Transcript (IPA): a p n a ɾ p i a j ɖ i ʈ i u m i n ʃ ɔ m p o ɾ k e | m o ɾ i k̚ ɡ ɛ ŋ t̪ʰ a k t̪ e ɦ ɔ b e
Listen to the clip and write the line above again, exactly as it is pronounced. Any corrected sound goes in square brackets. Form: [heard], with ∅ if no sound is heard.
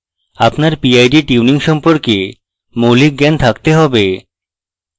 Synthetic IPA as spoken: a p n a ɾ p i a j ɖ i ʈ i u [n] i [ŋ] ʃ ɔ m p o ɾ k e | m o [l] i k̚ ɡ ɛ [n] t̪ʰ a k t̪ e ɦ ɔ b e